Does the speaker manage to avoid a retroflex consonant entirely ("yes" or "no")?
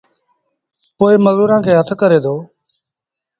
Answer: yes